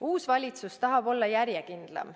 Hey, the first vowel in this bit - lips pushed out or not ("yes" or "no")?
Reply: yes